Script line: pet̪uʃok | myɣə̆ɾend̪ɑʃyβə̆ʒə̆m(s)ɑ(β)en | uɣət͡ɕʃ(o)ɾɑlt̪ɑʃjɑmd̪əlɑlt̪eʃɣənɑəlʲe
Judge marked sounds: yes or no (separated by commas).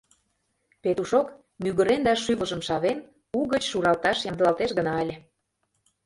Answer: no, yes, no